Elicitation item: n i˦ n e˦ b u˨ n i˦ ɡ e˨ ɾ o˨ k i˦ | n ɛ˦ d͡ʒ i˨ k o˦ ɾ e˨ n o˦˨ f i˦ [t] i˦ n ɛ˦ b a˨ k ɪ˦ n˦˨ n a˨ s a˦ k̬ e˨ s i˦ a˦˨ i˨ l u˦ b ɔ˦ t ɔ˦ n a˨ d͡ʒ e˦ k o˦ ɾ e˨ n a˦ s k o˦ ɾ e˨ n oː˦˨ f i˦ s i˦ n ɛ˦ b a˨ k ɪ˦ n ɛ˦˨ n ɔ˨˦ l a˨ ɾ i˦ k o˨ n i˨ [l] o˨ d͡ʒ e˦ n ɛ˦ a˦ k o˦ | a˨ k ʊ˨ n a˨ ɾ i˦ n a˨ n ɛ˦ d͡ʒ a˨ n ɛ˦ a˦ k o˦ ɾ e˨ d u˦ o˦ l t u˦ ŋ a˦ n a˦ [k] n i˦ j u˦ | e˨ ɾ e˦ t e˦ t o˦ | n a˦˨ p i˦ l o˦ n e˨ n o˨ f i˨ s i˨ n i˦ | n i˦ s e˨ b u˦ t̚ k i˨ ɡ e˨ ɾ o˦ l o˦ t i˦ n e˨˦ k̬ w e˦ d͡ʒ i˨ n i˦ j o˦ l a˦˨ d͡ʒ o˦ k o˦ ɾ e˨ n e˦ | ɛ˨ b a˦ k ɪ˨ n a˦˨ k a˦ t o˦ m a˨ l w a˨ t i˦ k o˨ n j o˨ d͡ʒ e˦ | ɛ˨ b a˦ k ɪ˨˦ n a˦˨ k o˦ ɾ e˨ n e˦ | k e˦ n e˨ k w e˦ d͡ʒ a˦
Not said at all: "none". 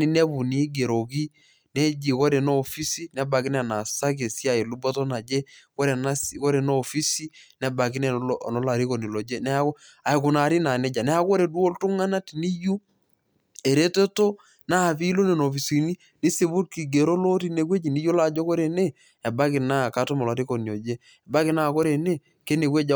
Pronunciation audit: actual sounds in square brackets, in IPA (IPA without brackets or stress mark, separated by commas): s, l, t